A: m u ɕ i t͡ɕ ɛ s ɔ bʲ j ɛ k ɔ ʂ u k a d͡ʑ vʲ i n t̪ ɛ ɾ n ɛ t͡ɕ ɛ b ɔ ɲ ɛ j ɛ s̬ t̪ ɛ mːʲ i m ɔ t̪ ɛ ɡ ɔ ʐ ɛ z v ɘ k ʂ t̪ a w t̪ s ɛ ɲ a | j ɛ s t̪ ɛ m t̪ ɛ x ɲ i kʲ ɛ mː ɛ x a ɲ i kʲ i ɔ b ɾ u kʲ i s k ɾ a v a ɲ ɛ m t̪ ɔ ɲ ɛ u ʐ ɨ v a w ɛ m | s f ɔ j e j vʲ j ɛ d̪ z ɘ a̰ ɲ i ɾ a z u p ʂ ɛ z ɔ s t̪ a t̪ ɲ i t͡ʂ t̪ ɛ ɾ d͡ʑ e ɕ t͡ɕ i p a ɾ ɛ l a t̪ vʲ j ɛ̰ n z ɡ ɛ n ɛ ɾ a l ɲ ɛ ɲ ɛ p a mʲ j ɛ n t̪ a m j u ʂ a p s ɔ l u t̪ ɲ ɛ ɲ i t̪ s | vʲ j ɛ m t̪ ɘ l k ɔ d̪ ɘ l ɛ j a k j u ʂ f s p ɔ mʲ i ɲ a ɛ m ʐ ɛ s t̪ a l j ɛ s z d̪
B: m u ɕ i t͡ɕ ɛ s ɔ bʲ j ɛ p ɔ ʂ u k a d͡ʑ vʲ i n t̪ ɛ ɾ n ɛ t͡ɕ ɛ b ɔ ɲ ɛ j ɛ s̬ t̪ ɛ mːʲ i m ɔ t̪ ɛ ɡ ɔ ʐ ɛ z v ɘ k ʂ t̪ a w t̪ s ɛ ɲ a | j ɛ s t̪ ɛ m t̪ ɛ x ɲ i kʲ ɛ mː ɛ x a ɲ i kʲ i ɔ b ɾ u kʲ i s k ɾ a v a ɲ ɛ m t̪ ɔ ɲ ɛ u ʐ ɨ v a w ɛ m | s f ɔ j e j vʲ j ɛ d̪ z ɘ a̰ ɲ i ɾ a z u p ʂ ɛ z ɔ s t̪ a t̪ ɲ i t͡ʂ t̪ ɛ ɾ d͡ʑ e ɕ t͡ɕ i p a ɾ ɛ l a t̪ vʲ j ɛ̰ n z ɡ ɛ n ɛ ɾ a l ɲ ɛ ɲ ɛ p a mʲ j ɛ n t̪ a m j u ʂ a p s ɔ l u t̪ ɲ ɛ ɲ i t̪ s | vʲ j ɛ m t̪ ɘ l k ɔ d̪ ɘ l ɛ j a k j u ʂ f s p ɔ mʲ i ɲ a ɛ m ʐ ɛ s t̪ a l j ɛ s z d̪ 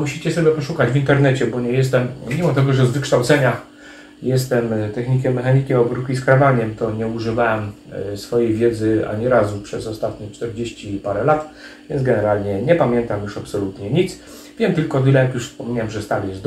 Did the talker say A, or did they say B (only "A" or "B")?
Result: B